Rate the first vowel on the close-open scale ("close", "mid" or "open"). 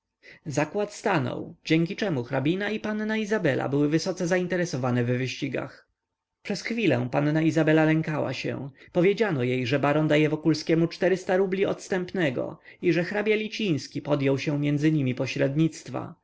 open